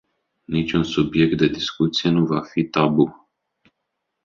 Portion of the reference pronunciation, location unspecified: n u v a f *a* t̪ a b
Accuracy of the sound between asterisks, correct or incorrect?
incorrect: i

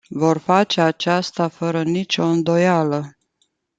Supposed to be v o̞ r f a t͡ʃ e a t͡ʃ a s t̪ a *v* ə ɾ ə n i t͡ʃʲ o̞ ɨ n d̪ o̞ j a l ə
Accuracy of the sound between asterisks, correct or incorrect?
incorrect: f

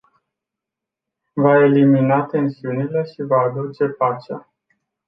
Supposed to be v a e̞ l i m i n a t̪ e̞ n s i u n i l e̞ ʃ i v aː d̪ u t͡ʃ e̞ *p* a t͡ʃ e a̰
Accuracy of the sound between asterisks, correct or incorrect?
correct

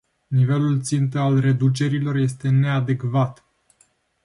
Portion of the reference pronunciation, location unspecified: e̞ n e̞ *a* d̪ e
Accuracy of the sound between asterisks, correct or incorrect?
correct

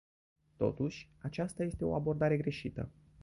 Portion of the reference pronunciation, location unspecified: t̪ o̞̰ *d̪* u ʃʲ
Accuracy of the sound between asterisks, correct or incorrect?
incorrect: t̪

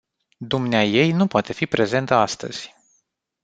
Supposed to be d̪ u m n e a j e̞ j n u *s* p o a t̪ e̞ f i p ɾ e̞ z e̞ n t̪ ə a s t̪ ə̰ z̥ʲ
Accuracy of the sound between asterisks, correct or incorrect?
incorrect: none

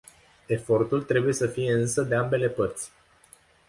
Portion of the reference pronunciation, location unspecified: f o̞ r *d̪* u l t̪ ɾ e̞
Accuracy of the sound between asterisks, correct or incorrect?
incorrect: t̪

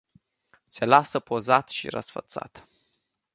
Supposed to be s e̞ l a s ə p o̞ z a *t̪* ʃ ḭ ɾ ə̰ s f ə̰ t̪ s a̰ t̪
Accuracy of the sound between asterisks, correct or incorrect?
correct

